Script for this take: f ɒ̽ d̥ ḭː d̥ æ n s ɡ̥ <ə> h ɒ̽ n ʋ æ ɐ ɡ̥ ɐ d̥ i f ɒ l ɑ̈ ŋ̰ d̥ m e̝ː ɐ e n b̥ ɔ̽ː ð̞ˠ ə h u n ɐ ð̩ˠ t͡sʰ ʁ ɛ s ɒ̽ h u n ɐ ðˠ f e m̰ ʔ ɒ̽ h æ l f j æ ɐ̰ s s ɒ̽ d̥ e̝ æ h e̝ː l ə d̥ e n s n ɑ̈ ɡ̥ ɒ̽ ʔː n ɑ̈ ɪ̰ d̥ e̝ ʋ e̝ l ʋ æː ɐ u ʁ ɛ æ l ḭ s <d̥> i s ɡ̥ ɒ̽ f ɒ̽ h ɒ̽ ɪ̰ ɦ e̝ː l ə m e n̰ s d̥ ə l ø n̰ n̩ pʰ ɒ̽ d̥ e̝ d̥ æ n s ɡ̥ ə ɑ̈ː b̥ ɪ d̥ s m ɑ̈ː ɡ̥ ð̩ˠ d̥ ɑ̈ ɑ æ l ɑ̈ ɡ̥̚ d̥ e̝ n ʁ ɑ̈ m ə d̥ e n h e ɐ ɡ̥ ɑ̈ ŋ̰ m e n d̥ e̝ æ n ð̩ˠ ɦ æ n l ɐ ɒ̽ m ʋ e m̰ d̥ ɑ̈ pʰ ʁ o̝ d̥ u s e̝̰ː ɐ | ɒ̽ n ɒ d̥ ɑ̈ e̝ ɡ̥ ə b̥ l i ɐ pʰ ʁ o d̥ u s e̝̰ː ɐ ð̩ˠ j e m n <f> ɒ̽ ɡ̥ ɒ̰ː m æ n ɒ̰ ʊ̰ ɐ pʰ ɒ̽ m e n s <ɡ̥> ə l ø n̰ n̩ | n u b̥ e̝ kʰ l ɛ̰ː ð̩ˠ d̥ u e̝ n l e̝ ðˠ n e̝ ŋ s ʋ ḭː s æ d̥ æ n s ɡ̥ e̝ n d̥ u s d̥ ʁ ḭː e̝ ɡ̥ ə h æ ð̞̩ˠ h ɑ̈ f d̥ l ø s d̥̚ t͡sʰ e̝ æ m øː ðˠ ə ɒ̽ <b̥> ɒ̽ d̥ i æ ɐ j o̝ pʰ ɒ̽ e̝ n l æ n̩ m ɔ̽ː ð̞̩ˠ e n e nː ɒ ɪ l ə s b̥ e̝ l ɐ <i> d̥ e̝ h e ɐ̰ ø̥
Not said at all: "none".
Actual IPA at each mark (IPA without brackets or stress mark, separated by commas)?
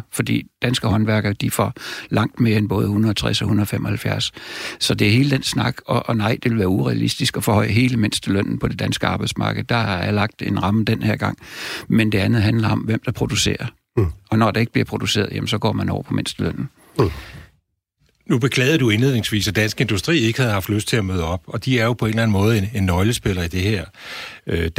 ə, d̥, s, d̥, b̥, i